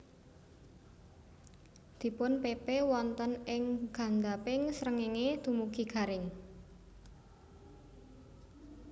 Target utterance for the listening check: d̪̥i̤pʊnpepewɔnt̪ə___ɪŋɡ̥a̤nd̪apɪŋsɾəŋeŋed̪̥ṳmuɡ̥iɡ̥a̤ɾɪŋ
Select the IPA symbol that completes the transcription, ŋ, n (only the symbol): n